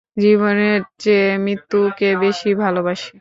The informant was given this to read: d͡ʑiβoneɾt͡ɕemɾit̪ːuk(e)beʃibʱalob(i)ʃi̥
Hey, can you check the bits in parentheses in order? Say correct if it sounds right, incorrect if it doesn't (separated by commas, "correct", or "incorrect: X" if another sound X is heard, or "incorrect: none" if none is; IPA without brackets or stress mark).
correct, incorrect: a